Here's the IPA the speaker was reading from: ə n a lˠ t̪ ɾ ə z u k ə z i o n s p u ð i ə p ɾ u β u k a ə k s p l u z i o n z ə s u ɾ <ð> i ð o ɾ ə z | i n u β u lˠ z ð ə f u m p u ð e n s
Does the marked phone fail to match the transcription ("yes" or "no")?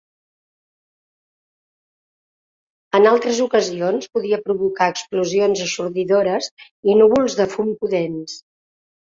no